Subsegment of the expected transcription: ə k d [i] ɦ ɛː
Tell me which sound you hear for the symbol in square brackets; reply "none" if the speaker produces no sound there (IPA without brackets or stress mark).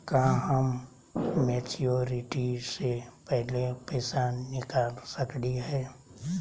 i